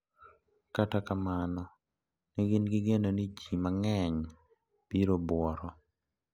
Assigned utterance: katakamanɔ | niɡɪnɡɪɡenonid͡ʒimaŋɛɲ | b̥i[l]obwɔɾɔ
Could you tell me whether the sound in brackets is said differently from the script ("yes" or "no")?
yes